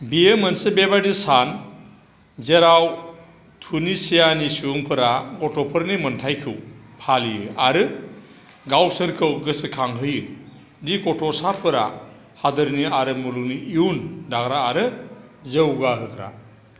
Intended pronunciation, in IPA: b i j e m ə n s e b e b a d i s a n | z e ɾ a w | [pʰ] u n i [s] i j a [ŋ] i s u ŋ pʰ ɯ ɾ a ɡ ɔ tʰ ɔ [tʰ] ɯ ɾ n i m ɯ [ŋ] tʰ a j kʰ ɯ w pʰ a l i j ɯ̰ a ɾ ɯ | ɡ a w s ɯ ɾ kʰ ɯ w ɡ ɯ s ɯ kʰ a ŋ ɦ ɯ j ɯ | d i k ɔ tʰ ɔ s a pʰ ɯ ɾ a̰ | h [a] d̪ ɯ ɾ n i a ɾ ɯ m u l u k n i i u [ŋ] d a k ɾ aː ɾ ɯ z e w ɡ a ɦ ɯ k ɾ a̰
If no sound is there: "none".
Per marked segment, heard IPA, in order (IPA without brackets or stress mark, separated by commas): tʰ, s, n, pʰ, n, a, n